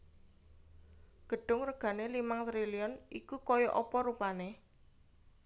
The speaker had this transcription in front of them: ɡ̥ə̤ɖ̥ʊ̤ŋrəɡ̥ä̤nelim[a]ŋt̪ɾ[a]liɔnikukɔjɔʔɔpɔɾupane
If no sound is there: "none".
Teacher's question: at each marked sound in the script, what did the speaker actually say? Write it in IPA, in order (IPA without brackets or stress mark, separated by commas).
a, i